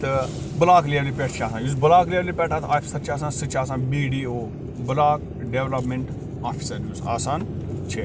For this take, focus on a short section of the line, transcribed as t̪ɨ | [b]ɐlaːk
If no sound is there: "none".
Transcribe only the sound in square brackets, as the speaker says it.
b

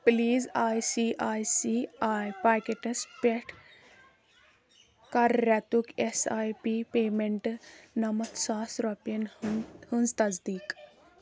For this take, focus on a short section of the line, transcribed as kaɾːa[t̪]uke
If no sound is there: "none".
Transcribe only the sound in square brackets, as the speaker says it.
t̪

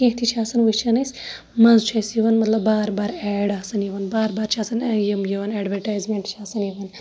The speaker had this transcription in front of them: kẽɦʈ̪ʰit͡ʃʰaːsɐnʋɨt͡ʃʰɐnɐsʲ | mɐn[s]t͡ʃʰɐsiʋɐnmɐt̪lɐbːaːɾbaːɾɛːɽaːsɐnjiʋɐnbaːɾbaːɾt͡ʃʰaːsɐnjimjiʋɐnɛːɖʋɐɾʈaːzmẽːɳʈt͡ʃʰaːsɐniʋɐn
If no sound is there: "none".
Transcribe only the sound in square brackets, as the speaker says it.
z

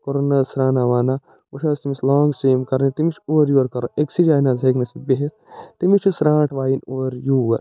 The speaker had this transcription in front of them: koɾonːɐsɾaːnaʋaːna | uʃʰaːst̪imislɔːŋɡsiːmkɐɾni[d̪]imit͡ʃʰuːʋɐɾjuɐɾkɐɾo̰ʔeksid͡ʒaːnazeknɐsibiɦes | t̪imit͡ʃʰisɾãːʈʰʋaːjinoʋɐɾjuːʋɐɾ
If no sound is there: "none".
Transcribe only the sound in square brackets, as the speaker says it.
t̪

